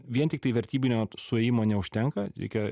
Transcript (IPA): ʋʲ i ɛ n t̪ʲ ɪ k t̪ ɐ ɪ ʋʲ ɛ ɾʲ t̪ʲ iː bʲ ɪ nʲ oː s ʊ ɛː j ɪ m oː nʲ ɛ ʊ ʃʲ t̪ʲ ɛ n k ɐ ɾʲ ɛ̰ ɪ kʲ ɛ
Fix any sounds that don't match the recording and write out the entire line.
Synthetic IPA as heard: ʋʲ i ɛ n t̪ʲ ɪ k t̪ ɐ ɪ ʋʲ ɛ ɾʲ t̪ʲ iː bʲ ɪ nʲ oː s ʊ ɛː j ɪ m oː nʲ ɛ ʊ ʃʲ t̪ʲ ɛ ŋ k ɐ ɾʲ ɛ̰ ɪ kʲ ɛ